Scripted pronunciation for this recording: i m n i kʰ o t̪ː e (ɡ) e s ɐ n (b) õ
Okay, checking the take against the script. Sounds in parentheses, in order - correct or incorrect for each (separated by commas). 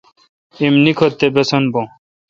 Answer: incorrect, correct